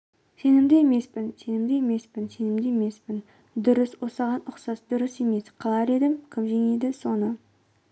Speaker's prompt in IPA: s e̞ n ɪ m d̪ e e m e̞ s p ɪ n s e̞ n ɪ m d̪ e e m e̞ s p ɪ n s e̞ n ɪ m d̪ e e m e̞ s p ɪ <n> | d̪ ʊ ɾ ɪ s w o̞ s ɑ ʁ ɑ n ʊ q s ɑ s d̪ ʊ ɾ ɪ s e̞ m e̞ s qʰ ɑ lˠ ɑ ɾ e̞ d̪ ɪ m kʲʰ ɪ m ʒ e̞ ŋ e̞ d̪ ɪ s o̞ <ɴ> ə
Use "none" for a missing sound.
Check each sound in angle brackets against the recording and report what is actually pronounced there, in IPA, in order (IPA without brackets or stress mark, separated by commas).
n, n